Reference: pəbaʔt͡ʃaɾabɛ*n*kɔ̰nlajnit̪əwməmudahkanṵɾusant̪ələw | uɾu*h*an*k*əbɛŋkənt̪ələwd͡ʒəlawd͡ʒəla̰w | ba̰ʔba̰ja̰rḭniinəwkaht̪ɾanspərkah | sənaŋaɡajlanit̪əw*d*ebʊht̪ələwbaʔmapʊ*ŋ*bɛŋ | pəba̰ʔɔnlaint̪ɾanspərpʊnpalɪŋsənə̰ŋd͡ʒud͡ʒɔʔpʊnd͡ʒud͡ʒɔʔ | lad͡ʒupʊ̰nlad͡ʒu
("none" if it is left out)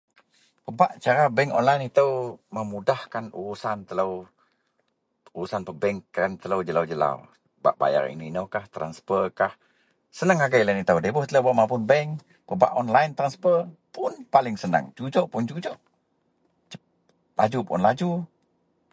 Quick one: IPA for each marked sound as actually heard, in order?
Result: ŋ, s, p, d, n

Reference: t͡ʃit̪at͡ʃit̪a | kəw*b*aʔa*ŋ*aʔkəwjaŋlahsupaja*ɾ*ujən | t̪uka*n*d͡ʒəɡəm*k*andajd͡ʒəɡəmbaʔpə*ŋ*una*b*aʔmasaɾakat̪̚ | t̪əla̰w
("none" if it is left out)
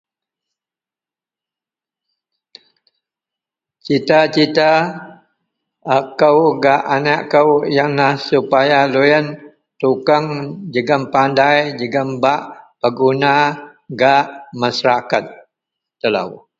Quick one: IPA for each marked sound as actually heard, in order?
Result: ɡ, n, l, ŋ, p, ɡ, ɡ

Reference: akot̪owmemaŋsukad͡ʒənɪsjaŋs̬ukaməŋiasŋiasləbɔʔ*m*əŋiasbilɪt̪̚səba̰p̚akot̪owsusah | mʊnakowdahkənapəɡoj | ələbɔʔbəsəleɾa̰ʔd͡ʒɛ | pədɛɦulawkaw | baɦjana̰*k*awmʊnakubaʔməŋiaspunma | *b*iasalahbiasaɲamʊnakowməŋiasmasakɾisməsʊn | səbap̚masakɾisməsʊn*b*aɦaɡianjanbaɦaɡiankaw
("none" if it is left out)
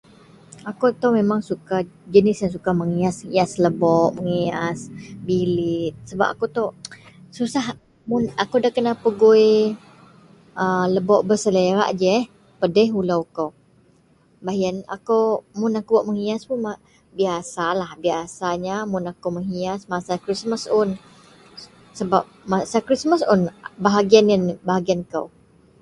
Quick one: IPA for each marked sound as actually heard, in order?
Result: m, k, b, b

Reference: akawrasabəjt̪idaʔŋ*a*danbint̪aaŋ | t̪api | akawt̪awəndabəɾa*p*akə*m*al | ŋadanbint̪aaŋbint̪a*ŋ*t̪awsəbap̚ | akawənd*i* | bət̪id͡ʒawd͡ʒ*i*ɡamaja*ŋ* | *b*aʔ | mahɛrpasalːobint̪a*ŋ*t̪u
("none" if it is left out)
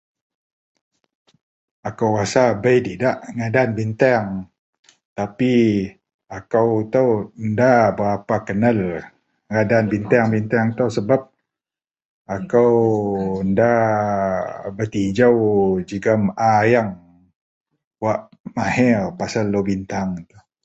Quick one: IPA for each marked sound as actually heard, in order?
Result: a, p, n, ŋ, a, i, ŋ, w, ŋ

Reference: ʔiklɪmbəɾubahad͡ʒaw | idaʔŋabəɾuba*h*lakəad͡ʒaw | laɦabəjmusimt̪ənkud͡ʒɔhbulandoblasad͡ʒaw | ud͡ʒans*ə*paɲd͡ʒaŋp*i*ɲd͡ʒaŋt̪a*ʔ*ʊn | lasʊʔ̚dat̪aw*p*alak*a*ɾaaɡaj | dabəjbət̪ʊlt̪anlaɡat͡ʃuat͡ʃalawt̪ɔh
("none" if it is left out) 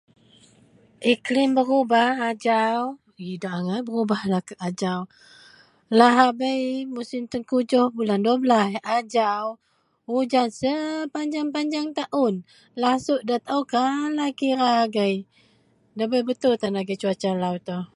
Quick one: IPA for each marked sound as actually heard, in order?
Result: h, ə, a, ʔ, k, i

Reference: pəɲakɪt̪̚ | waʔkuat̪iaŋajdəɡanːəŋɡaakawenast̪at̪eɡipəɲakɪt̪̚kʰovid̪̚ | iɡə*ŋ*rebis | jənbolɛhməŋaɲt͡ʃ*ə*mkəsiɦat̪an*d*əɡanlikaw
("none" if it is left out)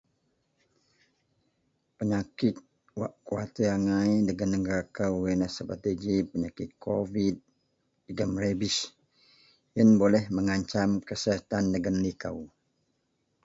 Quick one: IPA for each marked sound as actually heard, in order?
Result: m, a, d

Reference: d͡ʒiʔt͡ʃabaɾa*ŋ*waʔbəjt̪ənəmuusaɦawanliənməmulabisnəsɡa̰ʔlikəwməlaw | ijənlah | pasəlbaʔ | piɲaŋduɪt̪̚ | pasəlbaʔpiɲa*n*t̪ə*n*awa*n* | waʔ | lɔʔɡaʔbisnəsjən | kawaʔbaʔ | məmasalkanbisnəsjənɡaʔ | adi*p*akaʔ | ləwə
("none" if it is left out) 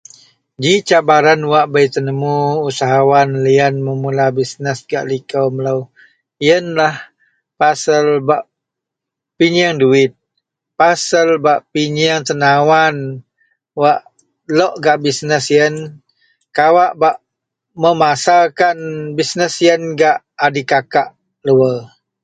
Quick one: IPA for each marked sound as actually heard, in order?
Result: n, ŋ, n, n, k

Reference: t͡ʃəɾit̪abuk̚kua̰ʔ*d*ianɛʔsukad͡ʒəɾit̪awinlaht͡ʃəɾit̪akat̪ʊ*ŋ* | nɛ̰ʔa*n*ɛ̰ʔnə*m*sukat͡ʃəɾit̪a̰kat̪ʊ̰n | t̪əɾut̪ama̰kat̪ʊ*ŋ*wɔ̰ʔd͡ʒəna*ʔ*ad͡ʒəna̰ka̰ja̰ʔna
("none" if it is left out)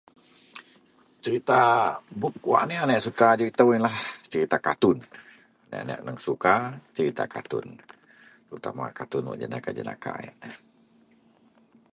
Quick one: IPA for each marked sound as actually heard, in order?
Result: n, n, n, ŋ, n, k

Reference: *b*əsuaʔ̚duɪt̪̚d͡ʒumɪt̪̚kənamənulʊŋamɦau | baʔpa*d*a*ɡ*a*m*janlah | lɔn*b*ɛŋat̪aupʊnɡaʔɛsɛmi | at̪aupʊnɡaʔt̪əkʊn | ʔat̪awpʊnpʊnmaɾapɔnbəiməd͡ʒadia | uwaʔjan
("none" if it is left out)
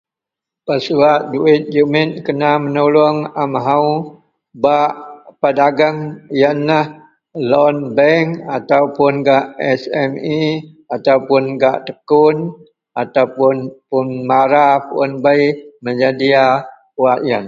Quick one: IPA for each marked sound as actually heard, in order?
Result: p, d, ɡ, ŋ, b

